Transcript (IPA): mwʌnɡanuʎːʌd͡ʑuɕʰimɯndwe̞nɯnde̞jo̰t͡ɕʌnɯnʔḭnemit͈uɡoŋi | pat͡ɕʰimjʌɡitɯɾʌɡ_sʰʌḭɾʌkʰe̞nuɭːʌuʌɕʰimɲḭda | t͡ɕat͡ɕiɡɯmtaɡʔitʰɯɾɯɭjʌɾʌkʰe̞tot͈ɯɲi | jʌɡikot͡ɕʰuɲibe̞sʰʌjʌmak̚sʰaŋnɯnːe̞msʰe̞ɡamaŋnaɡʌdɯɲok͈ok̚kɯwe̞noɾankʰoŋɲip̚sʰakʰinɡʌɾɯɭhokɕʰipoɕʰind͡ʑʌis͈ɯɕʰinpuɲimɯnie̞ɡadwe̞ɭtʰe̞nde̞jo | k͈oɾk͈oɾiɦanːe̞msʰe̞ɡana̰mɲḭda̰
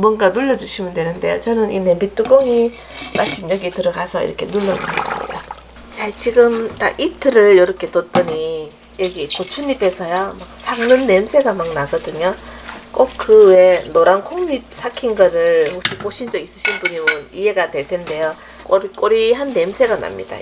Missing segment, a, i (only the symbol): a